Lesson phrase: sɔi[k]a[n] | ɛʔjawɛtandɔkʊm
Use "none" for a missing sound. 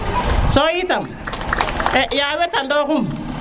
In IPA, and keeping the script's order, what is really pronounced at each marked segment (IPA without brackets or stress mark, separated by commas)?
t, m